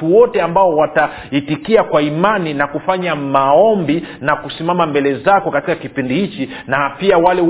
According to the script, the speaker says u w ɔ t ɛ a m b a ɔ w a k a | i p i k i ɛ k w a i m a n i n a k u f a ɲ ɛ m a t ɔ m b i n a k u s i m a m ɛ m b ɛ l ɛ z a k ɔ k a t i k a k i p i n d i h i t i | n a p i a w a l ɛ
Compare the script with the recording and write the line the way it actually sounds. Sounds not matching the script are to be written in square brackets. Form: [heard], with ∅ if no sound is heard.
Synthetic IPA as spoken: u w ɔ t ɛ a m b a ɔ w a [t] a | i [t] i k i [a] k w a i m a n i n a k u f a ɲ [a] m a [∅] ɔ m b i n a k u s i m a m [a] m b ɛ l ɛ z a k ɔ k a t i k a k i p i n d i h i [t͡ʃ] i | n a p i a w a l ɛ